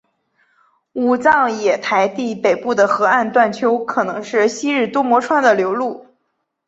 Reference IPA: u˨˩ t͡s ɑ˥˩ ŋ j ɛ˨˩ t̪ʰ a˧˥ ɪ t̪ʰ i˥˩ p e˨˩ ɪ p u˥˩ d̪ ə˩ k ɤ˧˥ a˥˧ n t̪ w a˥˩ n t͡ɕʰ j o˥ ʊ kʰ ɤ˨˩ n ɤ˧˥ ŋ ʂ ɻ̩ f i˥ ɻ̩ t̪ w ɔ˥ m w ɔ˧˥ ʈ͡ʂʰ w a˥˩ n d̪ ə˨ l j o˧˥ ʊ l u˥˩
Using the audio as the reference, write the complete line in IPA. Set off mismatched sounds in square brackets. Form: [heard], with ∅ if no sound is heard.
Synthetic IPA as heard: u˨˩ t͡s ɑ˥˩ ŋ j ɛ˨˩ t̪ʰ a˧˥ ɪ [t̪] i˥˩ p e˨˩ ɪ p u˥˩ d̪ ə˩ [x] ɤ˧˥ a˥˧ n t̪ w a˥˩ n t͡ɕʰ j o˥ ʊ kʰ ɤ˨˩ n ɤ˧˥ ŋ ʂ ɻ̩ [ɕ] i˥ ɻ̩ t̪ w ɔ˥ m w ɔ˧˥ ʈ͡ʂʰ w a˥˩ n d̪ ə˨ l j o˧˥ ʊ l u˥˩

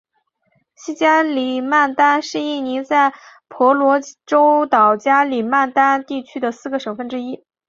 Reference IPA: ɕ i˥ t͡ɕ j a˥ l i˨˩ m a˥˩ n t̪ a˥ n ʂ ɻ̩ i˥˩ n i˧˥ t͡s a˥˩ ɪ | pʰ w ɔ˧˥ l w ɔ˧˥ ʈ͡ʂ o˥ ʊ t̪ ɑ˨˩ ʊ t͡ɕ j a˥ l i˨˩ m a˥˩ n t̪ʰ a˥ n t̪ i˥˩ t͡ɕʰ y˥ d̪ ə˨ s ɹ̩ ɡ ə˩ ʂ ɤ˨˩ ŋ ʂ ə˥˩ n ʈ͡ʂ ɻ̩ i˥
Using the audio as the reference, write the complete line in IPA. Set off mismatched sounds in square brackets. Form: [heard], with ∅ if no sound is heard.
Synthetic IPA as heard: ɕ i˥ t͡ɕ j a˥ l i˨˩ m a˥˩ n t̪ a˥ n ʂ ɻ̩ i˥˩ n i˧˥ t͡s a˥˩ ɪ | pʰ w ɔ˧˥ l w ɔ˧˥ ʈ͡ʂ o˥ ʊ t̪ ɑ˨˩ ʊ t͡ɕ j a˥ l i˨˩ m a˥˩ n [t̪] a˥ n t̪ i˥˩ t͡ɕʰ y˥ d̪ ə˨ s ɹ̩ ɡ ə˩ ʂ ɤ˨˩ ŋ [f] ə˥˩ n ʈ͡ʂ ɻ̩ i˥

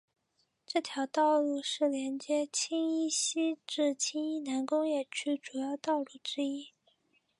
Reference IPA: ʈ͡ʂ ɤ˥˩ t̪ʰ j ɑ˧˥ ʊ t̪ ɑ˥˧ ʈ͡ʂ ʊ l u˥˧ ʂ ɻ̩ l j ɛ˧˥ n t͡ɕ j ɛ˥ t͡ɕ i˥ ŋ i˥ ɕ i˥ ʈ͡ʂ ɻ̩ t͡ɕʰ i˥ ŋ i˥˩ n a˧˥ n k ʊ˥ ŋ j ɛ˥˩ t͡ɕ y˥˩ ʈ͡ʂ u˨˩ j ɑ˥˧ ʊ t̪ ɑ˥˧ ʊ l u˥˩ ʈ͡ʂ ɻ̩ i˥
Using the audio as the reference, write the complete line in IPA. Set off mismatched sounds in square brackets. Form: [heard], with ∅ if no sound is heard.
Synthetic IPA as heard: ʈ͡ʂ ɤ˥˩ t̪ʰ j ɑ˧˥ ʊ t̪ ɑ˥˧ [∅] ʊ l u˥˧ ʂ ɻ̩ l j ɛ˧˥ n t͡ɕ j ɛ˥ [t͡ɕʰ] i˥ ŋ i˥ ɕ i˥ ʈ͡ʂ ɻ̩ t͡ɕʰ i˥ ŋ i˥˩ n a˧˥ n k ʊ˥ ŋ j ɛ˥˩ [t͡ɕʰ] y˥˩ ʈ͡ʂ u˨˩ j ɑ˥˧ ʊ t̪ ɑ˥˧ ʊ l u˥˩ ʈ͡ʂ ɻ̩ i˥

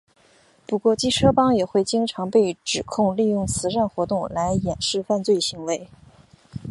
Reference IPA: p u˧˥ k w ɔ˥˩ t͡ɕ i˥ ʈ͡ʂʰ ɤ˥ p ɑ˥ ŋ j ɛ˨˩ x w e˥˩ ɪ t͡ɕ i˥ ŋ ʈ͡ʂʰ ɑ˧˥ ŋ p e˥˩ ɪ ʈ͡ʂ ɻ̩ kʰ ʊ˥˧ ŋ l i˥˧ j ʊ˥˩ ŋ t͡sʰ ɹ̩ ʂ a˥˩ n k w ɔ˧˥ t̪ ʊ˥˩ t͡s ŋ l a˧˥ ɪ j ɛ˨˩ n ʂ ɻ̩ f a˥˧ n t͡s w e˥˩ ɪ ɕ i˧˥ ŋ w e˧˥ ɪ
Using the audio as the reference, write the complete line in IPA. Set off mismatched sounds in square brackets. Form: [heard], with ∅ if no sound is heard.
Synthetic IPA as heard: p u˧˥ k w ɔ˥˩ t͡ɕ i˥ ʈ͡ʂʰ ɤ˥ p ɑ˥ ŋ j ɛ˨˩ x w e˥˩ ɪ t͡ɕ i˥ ŋ ʈ͡ʂʰ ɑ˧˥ ŋ p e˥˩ ɪ ʈ͡ʂ ɻ̩ kʰ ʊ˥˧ ŋ l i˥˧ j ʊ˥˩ ŋ t͡sʰ ɹ̩ ʂ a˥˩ n [x] w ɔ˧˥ t̪ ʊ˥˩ [∅] ŋ l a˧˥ ɪ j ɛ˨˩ n ʂ ɻ̩ f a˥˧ n t͡s w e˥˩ ɪ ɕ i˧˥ ŋ w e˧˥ ɪ

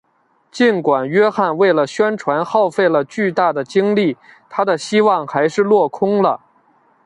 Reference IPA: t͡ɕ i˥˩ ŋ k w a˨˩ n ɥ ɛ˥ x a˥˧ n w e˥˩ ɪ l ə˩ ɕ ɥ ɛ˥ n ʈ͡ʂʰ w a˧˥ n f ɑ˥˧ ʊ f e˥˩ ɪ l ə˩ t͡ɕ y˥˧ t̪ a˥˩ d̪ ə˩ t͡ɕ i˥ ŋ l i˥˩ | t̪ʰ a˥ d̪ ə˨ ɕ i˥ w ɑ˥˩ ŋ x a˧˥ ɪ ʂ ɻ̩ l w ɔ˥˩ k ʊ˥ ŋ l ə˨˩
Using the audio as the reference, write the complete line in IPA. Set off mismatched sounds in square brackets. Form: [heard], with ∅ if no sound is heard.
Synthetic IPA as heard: t͡ɕ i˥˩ [n] k w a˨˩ n ɥ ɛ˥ x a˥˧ n w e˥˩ ɪ l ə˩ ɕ ɥ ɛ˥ n ʈ͡ʂʰ w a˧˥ n [x] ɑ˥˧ ʊ f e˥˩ ɪ l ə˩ t͡ɕ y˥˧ t̪ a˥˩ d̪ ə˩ t͡ɕ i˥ ŋ l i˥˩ | t̪ʰ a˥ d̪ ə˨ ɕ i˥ w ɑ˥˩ ŋ x a˧˥ ɪ ʂ ɻ̩ l w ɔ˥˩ [kʰ] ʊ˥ ŋ l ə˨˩

